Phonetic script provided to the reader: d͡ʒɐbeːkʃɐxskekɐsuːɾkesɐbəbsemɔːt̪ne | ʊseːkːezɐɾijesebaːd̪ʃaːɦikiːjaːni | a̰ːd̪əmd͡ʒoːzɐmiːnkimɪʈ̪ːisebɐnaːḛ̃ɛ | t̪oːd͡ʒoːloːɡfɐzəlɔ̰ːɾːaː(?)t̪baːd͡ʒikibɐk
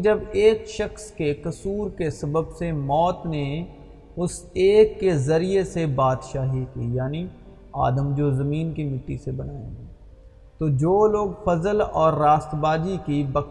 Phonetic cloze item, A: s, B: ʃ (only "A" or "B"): A